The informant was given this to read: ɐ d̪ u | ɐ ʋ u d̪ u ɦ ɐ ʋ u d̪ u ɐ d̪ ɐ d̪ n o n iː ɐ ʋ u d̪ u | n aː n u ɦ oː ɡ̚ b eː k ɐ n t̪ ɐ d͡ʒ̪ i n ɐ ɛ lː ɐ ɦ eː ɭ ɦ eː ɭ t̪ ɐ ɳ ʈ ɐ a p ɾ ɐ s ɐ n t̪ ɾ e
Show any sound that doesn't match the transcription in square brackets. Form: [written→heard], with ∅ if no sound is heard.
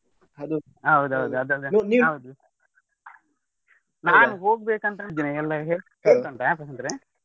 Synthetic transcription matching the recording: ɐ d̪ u | ɐ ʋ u d̪ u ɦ ɐ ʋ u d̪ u ɐ d̪ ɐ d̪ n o n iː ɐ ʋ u d̪ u | n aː n u ɦ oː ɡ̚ b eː k ɐ n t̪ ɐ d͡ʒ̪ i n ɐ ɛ lː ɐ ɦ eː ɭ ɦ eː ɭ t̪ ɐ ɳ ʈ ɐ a p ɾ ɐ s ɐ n t̪ ɾ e